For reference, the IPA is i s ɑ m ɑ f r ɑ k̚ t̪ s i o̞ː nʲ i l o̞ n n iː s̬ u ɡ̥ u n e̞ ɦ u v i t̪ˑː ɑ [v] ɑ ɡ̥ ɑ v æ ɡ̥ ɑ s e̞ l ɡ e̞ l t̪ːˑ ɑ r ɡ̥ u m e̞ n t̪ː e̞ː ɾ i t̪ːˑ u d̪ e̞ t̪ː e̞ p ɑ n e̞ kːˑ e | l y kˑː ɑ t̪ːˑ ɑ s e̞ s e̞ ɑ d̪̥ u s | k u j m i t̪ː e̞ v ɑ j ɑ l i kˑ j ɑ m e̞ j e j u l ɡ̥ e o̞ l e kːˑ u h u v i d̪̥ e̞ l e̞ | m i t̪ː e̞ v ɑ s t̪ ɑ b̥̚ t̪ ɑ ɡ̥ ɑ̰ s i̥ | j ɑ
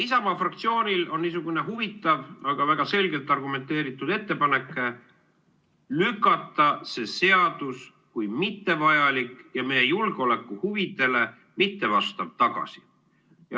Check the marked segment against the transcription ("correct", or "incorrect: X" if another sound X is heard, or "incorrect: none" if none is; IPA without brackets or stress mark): correct